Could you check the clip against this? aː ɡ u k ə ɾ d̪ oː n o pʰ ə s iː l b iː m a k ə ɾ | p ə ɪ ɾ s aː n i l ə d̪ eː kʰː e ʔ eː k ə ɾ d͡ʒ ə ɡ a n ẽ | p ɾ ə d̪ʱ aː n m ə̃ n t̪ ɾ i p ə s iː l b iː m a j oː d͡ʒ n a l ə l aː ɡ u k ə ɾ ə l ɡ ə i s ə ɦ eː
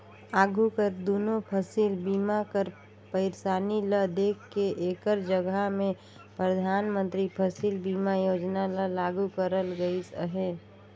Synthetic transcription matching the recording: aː ɡ u k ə ɾ d̪ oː n o pʰ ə s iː l b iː m a k ə ɾ | p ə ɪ ɾ s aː n i l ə d̪ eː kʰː e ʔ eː k ə ɾ d͡ʒ ə ɡ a m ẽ | p ɾ ə d̪ʱ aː n m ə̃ n t̪ ɾ i pʰ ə s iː l b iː m a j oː d͡ʒ n a l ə l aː ɡ u k ə ɾ ə l ɡ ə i s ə ɦ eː